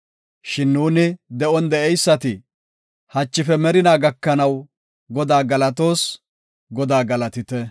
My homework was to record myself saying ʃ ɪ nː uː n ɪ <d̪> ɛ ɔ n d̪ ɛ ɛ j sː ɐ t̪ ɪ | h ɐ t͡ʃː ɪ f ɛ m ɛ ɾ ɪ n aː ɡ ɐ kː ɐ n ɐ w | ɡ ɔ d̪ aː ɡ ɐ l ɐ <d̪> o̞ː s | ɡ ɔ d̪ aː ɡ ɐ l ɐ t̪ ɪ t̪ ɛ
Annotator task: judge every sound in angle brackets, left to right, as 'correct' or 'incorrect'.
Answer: correct, incorrect

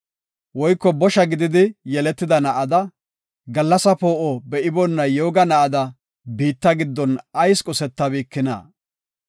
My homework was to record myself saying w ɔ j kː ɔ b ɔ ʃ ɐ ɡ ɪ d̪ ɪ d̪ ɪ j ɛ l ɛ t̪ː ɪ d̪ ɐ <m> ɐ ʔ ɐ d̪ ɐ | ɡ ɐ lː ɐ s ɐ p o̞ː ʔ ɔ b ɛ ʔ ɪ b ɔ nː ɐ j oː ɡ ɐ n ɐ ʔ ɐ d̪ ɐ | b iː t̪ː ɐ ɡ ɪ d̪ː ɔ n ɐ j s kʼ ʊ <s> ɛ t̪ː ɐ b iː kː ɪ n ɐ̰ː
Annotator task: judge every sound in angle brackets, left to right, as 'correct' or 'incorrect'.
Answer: incorrect, correct

